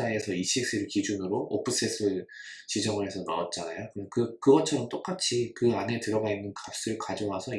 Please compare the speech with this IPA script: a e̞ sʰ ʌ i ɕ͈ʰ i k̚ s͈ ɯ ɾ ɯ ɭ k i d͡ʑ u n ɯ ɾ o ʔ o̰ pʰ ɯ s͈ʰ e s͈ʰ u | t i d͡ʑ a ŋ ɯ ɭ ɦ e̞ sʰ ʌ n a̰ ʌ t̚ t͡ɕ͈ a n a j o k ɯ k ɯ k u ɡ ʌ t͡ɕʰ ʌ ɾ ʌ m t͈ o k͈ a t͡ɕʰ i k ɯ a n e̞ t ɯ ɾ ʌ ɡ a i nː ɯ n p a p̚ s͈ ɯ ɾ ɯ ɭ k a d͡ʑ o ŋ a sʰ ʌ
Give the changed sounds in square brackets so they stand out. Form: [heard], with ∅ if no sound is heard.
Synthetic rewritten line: a e̞ sʰ ʌ i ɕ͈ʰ i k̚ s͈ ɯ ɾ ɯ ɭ k i d͡ʑ u n ɯ ɾ o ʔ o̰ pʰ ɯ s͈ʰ e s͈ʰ [ɯ] | [t͡ɕ] i d͡ʑ [ʌ] ŋ ɯ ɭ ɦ e̞ sʰ ʌ n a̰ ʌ t̚ t͡ɕ͈ a n a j o k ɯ k ɯ k [ɯ] ɡ ʌ t͡ɕʰ ʌ ɾ ʌ m t͈ o k͈ a t͡ɕʰ i k ɯ a n e̞ t ɯ ɾ ʌ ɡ a i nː ɯ n [k] a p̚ s͈ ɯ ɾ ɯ ɭ k a d͡ʑ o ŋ a sʰ ʌ